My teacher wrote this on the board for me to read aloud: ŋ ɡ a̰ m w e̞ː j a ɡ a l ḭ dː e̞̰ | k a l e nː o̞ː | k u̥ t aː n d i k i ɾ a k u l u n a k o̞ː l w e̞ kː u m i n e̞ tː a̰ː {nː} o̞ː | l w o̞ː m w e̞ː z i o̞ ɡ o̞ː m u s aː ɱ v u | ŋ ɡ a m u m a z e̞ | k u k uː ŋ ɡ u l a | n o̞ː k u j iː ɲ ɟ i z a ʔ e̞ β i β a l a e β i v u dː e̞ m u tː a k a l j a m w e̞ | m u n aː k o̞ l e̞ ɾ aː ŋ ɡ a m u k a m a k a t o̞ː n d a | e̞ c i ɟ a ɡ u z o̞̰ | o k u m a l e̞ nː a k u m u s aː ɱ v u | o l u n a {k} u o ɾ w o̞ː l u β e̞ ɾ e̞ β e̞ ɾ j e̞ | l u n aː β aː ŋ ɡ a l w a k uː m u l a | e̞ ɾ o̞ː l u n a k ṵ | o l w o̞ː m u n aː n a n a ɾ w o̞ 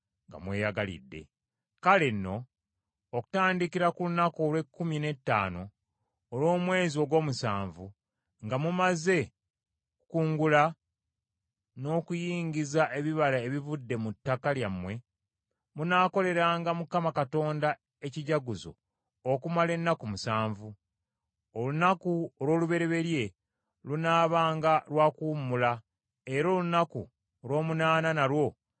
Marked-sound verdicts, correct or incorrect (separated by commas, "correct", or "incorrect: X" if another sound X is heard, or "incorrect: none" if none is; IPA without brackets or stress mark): incorrect: n, correct